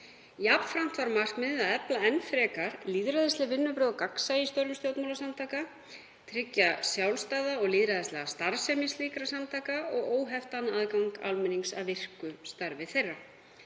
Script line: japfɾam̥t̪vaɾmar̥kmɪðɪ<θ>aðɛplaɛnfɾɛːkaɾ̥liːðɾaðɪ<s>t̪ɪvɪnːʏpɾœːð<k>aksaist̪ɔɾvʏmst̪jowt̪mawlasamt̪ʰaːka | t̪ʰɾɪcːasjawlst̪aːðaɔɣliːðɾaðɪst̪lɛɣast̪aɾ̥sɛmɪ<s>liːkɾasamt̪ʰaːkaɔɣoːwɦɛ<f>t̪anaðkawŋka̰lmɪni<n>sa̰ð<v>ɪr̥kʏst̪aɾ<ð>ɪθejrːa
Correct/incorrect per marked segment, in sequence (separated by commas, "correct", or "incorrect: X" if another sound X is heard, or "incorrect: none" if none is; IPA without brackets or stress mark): incorrect: ð, correct, correct, correct, correct, incorrect: ŋ, correct, incorrect: v